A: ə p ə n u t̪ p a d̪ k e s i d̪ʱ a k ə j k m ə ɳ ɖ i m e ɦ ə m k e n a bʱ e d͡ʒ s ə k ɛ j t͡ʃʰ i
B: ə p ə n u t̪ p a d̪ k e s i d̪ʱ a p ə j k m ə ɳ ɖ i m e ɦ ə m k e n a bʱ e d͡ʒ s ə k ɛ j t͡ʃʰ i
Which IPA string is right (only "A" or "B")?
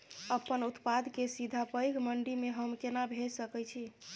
B